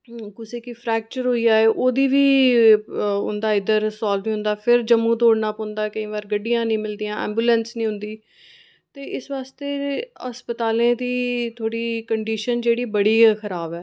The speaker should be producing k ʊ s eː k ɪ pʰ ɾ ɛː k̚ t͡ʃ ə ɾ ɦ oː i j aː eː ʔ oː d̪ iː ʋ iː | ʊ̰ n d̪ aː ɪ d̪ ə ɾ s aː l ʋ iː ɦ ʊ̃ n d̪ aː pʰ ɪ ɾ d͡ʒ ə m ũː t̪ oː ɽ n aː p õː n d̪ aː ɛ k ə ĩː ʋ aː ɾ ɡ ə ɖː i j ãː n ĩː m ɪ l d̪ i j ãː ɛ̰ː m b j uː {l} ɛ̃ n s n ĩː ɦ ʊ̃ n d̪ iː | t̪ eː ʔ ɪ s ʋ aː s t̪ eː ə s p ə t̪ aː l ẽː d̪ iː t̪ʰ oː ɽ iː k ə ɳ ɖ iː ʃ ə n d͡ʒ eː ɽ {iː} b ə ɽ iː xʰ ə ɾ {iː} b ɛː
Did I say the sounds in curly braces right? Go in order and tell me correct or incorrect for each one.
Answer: correct, correct, incorrect: aː

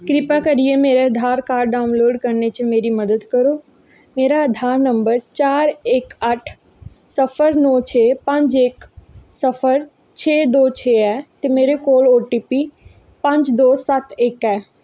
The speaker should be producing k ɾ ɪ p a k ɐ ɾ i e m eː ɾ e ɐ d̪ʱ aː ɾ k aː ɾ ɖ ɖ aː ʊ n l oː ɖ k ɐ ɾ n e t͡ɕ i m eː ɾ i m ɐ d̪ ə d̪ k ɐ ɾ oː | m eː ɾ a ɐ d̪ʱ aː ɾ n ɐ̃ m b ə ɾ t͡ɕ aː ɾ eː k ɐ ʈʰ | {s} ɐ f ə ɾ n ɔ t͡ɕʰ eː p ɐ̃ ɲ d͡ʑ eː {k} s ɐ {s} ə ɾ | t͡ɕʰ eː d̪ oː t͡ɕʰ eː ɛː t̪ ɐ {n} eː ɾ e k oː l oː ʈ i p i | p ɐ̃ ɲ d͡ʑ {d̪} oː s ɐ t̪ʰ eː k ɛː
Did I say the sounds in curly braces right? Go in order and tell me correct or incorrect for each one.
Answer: correct, correct, incorrect: f, incorrect: m, correct

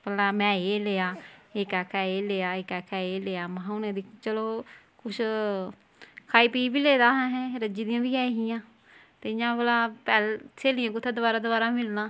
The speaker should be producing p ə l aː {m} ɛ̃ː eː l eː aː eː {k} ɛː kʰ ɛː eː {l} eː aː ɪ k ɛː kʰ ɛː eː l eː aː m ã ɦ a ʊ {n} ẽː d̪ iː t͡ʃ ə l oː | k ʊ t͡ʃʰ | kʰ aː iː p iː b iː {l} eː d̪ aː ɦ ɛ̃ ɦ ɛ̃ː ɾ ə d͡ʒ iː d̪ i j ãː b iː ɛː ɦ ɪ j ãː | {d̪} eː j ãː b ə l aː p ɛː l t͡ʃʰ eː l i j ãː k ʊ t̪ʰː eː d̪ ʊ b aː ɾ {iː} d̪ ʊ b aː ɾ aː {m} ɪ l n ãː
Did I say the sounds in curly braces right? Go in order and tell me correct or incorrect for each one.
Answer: correct, correct, correct, correct, correct, incorrect: t̪, incorrect: aː, correct

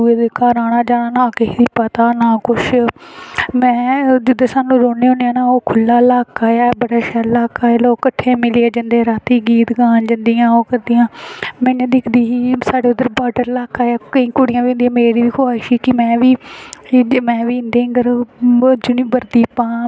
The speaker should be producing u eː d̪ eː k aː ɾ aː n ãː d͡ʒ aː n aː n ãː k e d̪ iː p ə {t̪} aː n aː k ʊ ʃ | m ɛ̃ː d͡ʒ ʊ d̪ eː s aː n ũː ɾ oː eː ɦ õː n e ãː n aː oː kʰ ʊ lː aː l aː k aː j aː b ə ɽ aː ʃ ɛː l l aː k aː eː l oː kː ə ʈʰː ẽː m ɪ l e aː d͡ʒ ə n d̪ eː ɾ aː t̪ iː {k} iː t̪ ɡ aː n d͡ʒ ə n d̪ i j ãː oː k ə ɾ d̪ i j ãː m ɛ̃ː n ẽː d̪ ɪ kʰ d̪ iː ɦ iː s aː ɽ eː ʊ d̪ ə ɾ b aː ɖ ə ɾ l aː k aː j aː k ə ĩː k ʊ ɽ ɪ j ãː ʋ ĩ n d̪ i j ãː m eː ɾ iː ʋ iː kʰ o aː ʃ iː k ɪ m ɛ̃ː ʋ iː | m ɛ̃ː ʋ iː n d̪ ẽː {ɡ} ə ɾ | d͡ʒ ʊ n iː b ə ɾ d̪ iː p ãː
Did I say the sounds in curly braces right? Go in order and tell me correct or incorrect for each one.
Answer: correct, incorrect: ɡ, correct

